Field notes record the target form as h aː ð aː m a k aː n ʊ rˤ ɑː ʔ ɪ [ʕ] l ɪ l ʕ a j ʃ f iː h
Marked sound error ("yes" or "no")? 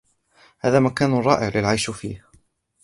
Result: no